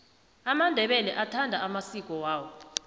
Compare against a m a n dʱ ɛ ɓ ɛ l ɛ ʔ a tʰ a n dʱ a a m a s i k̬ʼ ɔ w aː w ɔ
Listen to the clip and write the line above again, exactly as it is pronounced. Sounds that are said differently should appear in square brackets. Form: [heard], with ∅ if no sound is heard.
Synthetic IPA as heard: a m a n dʱ ɛ ɓ ɛ l ɛ ʔ a tʰ a n dʱ a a m a s i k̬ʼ ɔ w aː w ɔ